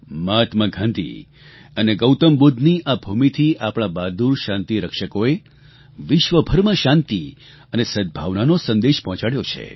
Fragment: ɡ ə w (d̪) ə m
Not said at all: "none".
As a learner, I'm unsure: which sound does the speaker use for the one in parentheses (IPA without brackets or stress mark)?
t̪